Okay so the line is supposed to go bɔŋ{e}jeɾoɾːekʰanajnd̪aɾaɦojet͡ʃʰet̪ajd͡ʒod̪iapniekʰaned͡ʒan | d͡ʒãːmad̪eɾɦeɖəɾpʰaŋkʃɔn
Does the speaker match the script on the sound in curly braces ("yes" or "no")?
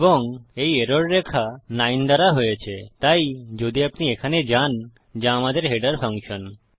yes